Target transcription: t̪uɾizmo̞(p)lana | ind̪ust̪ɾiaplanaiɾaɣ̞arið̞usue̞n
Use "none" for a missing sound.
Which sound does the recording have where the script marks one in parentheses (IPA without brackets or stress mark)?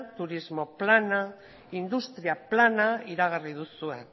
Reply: p